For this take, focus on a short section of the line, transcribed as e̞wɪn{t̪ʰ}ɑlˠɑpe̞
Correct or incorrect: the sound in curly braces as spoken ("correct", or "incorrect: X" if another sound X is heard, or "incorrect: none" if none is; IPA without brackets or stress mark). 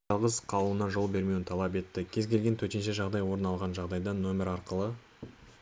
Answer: correct